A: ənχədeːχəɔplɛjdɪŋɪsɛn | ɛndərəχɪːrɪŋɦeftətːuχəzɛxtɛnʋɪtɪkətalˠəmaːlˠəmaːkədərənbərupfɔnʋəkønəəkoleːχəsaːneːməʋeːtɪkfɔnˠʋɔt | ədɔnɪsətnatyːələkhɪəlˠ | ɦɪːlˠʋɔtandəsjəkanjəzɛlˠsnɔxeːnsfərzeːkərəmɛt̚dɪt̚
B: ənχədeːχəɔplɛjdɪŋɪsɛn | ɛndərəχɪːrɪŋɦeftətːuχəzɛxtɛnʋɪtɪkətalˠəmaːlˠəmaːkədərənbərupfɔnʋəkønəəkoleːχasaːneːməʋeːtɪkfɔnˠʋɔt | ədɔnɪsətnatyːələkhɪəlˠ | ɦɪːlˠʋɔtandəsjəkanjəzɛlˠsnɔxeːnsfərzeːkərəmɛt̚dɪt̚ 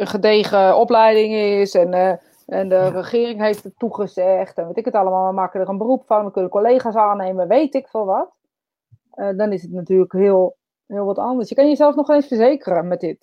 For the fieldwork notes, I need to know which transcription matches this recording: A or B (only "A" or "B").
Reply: B